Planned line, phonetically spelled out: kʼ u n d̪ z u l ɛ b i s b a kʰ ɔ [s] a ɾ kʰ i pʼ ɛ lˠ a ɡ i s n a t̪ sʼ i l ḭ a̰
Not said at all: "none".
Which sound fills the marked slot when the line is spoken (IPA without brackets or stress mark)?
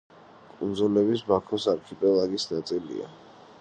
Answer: s